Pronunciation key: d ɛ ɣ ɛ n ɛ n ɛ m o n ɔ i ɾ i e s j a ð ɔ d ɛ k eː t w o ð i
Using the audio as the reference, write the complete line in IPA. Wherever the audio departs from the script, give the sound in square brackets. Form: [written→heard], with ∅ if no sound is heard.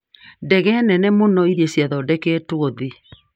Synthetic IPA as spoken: d ɛ ɣ ɛ n ɛ n ɛ m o n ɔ i ɾ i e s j a ð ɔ d ɛ k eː t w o ð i